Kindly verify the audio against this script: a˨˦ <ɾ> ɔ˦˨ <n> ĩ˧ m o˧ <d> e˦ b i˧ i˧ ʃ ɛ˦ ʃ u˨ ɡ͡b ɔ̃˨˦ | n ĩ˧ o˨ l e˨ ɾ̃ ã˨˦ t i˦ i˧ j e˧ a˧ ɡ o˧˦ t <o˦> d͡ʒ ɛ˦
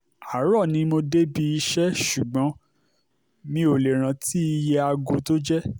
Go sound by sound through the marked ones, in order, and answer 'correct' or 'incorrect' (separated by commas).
correct, correct, correct, correct